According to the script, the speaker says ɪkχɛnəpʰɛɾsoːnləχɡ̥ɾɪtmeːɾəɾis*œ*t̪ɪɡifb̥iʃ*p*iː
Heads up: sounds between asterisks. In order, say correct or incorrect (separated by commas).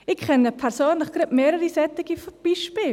incorrect, correct